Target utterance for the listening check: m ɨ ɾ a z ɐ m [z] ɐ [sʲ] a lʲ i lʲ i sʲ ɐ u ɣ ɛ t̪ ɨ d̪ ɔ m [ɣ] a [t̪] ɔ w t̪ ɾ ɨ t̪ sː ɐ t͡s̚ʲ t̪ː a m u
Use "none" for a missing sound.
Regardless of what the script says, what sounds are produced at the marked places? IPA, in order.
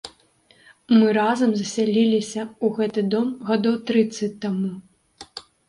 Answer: z, sʲ, ɣ, d̪

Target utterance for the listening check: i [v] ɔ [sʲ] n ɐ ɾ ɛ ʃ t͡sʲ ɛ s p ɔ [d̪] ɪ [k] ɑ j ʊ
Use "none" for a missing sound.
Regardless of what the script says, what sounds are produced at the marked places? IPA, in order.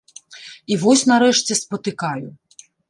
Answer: ʋ, sʲ, t̪, k

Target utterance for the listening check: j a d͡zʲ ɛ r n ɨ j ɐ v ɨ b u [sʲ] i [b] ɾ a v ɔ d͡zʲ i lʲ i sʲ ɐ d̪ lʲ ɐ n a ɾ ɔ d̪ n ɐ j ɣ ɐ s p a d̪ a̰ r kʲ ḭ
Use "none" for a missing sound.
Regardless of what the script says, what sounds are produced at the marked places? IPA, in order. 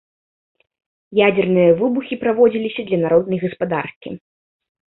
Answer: xʲ, p

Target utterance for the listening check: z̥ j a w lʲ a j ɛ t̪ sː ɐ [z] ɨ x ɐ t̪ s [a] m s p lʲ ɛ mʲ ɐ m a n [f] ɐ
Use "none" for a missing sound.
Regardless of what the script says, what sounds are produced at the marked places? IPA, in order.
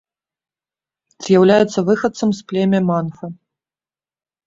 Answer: v, ɐ, f

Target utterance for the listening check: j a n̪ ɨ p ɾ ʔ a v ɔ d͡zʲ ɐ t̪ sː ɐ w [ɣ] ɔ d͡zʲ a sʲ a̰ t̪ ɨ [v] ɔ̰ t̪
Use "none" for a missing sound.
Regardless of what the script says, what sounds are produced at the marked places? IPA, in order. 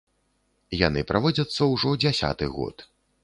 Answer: ʐ, ɣ

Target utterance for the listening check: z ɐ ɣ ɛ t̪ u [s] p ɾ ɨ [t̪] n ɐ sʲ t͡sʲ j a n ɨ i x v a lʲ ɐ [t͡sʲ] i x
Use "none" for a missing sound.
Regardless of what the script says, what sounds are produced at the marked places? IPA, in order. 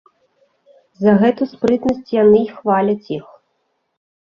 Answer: s, t̪, t͡sʲ

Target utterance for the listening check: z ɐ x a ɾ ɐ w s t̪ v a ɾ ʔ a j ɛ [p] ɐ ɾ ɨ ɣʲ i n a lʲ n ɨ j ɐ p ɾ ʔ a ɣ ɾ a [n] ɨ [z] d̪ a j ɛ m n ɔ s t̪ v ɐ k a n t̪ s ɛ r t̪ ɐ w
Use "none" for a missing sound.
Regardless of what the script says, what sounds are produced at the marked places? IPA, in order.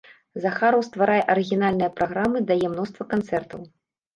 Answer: ʔ, m, none

